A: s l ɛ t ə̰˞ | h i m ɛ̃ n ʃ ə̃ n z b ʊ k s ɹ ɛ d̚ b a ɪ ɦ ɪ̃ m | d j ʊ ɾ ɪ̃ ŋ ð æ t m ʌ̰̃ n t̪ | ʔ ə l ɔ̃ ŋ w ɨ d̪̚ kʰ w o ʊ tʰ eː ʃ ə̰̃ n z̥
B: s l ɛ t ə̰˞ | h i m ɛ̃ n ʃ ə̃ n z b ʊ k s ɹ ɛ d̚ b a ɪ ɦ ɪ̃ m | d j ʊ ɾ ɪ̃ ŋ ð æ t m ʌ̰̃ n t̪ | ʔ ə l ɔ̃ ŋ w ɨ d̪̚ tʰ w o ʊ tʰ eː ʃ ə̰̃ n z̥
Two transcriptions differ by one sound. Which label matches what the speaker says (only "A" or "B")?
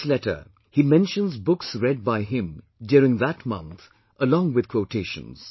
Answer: A